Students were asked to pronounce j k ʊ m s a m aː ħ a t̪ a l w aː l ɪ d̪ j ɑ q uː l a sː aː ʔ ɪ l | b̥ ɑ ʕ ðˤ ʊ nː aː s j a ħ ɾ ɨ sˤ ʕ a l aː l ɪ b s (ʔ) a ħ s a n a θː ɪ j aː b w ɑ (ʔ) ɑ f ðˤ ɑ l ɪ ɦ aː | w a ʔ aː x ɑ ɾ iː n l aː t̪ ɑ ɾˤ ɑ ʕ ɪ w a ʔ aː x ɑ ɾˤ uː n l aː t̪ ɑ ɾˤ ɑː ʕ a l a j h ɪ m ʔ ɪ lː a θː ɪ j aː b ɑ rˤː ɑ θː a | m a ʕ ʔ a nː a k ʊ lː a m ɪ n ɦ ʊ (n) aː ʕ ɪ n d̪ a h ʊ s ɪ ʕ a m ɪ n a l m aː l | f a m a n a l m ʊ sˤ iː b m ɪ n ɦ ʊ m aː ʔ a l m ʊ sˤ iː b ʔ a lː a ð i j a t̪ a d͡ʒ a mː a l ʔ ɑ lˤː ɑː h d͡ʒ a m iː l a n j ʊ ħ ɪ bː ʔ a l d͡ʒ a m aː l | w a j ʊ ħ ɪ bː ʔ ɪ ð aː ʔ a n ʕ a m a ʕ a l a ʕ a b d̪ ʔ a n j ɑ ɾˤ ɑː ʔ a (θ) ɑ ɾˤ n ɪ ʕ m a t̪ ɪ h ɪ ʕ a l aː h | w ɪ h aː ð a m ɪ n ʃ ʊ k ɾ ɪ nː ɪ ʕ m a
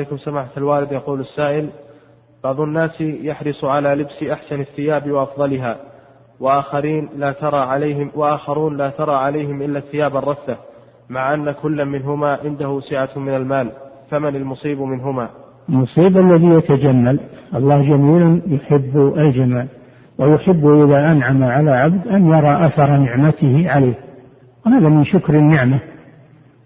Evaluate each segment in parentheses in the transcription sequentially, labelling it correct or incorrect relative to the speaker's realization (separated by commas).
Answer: correct, correct, incorrect, correct